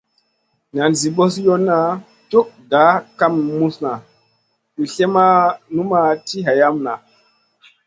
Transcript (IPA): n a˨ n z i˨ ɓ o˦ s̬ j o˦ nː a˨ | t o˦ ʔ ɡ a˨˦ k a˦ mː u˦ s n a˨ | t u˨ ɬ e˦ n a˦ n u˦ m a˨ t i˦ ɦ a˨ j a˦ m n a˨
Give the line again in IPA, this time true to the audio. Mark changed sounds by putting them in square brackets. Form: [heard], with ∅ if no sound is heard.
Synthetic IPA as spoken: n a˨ n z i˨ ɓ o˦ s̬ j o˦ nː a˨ | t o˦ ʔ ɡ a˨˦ k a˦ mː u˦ s n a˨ | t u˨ ɬ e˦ [m] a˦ n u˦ m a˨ t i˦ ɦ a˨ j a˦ m n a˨